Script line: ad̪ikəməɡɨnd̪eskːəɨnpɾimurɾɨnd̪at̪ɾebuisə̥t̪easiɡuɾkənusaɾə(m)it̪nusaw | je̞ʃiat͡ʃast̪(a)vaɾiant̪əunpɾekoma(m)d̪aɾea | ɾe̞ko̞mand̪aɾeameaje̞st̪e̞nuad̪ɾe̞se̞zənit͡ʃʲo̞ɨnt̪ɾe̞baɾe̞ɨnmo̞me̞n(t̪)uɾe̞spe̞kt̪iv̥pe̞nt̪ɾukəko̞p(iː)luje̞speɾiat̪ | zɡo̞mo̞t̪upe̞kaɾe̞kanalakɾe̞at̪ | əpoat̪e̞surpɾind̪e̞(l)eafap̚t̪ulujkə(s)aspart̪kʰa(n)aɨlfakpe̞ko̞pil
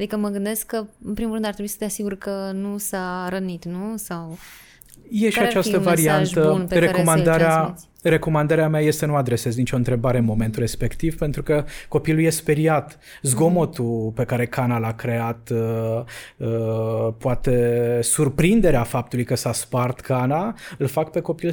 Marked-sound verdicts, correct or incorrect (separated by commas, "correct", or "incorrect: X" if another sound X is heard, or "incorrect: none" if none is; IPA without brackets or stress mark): incorrect: n, incorrect: ə, incorrect: n, correct, incorrect: i, incorrect: ɾ, correct, correct